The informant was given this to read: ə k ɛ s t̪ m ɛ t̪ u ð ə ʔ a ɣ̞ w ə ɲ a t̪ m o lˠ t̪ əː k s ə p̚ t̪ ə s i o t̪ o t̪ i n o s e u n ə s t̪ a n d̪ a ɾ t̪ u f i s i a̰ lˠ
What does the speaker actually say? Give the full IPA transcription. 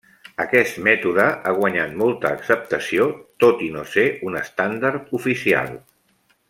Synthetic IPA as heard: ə k ɛ s t̪ m ɛ t̪ u ð ə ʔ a ɣ̞ w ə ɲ a t̪ m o lˠ t̪ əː k s ə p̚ t̪ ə s i o t̪ o t̪ i n o s e u n ə s t̪ a n d̪ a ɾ t̪ u f i s i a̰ lˠ